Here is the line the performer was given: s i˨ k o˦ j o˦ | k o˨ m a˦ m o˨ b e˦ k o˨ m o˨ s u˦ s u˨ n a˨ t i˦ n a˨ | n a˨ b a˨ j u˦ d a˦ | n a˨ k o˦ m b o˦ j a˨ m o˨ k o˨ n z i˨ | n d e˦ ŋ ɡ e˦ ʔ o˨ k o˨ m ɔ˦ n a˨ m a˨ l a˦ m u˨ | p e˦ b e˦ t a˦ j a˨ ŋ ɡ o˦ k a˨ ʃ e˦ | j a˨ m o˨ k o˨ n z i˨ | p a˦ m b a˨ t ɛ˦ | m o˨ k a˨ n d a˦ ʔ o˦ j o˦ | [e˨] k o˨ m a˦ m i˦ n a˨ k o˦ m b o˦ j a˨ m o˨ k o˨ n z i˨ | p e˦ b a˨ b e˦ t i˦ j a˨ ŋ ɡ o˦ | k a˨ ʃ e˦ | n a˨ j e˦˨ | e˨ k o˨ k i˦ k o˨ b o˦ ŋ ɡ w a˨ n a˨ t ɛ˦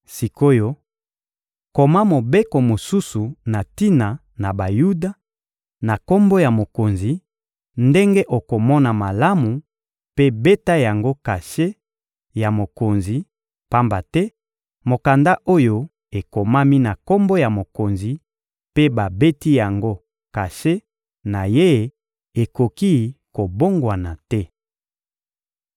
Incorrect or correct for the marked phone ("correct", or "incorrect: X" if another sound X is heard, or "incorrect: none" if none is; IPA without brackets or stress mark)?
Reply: correct